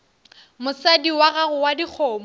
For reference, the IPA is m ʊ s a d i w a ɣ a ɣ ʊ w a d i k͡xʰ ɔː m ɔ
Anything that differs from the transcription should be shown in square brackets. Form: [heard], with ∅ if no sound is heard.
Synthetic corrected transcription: m ʊ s a d i w a ɣ a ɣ ʊ w a d i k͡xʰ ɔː m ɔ